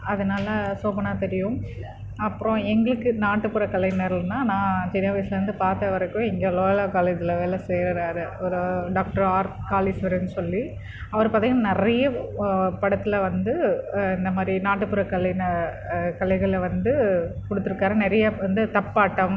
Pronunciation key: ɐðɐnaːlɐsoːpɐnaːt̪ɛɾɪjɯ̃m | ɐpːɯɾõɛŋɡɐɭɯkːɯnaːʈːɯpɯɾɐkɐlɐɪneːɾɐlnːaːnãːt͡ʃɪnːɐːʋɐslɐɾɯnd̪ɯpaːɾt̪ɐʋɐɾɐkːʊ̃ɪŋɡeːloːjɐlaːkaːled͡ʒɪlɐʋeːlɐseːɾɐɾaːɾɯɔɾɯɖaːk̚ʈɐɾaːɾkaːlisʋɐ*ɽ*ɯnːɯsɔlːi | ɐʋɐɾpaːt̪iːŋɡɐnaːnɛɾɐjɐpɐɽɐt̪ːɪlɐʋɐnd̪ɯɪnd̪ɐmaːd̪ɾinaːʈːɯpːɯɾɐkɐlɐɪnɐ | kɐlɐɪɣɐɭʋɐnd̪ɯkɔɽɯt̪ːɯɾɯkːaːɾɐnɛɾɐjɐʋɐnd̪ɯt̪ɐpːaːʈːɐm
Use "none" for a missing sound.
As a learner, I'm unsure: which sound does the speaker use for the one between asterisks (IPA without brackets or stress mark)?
ɾ